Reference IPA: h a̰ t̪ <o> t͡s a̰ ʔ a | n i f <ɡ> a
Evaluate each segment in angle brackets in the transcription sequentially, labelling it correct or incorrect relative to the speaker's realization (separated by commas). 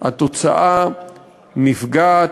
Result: correct, correct